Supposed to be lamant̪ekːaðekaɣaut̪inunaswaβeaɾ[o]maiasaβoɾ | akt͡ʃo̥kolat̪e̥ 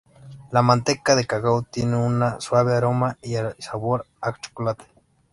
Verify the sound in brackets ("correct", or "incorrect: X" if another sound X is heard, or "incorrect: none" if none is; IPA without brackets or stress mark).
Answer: correct